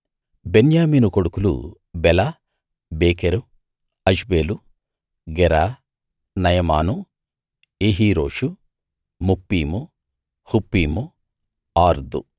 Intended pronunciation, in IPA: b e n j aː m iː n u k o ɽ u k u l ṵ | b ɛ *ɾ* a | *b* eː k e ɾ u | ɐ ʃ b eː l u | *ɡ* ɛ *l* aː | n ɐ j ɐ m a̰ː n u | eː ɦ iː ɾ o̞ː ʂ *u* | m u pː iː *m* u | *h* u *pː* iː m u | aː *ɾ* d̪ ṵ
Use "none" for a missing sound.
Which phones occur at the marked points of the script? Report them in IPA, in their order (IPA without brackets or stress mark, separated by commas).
l, b, ɡ, ɾ, u, m, h, pː, ɾ